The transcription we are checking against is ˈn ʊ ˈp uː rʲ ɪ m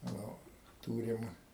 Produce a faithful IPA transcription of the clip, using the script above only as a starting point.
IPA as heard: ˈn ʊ ˈt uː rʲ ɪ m